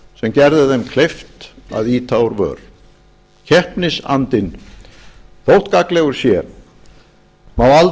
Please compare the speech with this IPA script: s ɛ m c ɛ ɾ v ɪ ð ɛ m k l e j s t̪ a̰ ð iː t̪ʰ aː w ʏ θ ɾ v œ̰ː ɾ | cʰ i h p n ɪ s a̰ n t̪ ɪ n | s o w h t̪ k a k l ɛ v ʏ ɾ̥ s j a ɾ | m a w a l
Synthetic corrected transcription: s ɛ m c ɛ ɾ ð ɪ ð ɛ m kʰ l e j f t̪ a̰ ð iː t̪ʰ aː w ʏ ɾ v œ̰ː ɾ | cʰ ɛ h p n ɪ s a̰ n t̪ ɪ n | θ o w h t̪ k a k l ɛ ɣ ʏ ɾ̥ s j ɛ ɾ | m a w a l